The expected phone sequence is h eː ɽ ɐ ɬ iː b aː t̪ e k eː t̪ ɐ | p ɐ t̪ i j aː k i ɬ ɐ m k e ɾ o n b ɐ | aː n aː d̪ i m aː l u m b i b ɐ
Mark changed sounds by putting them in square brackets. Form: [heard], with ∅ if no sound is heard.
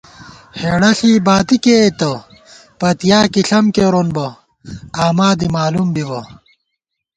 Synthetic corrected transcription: h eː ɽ ɐ ɬ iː b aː t̪ [i] k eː t̪ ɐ | p ɐ t̪ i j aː k i ɬ ɐ m k e ɾ o n b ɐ | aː [m] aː d̪ i m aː l u m b i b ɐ

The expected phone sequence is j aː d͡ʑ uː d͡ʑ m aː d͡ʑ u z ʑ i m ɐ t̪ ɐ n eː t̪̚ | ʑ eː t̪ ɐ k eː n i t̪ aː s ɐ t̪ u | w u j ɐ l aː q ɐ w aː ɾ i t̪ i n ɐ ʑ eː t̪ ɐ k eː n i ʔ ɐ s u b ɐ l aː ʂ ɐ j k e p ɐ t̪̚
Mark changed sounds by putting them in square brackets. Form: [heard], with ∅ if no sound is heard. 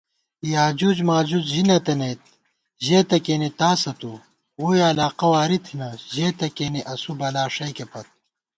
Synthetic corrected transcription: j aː d͡ʑ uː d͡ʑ m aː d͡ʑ u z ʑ i [n] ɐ t̪ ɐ n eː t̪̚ | ʑ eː t̪ ɐ k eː n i t̪ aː s ɐ t̪ u | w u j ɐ l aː q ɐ w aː ɾ i [t̪ʰ] i n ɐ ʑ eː t̪ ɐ k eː n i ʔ ɐ s u b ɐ l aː ʂ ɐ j k e p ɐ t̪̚

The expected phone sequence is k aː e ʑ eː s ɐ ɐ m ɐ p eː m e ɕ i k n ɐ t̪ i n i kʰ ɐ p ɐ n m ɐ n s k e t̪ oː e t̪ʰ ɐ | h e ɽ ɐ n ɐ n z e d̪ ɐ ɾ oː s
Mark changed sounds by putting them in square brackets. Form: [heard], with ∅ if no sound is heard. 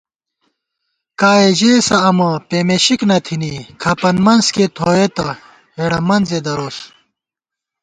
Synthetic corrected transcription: k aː e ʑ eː s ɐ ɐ m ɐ p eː m e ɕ i k n ɐ [t̪ʰ] i n i kʰ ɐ p ɐ n m ɐ n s k e [t̪ʰ] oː e [t̪] ɐ | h e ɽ ɐ [m] ɐ n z e d̪ ɐ ɾ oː s

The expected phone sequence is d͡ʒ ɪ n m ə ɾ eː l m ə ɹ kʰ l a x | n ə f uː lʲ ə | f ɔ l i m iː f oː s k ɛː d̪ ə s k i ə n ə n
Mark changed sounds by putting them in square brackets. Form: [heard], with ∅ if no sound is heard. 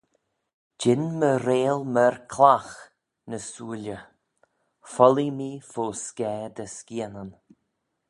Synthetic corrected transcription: d͡ʒ ɪ n m ə ɾ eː l m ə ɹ kʰ l a x | n ə [s] uː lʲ ə | f ɔ l i m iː f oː s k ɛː d̪ ə s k i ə n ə n

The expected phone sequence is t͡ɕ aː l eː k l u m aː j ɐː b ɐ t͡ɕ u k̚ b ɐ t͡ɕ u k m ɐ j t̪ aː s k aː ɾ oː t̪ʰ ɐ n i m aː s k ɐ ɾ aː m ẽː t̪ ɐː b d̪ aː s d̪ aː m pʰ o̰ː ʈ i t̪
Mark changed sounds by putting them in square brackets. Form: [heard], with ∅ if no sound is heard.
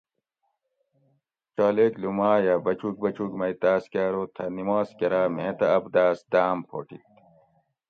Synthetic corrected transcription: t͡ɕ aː l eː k l u m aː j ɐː b ɐ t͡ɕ u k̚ b ɐ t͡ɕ u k m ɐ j t̪ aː s k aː ɾ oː t̪ʰ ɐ n i m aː s k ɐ ɾ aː m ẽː t̪ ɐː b d̪ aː s d̪ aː m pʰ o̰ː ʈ i t̪

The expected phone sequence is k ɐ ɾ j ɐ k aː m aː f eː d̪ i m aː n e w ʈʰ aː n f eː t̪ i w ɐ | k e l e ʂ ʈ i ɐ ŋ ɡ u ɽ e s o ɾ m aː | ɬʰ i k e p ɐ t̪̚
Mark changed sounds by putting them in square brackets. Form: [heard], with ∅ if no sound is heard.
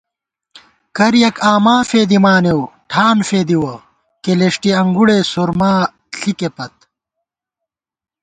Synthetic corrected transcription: k ɐ ɾ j ɐ k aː m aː f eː d̪ i m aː n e w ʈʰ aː n f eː [d̪] i w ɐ | k e l e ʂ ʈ i ɐ ŋ ɡ u ɽ e s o ɾ m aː | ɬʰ i k e p ɐ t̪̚

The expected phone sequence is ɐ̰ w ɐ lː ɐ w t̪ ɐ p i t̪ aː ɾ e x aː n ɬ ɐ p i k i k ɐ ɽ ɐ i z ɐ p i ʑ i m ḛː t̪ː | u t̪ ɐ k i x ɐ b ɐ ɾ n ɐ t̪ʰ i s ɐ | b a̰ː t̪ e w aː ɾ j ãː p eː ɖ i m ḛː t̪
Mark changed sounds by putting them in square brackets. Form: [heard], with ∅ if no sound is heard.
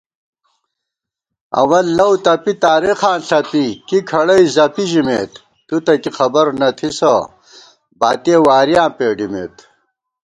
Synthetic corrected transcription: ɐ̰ w ɐ lː ɐ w t̪ ɐ p i t̪ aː ɾ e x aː n ɬ ɐ p i k i [kʰ] ɐ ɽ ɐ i z ɐ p i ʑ i m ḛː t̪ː | u t̪ ɐ k i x ɐ b ɐ ɾ n ɐ t̪ʰ i s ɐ | b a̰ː t̪ e w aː ɾ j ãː p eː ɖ i m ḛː t̪

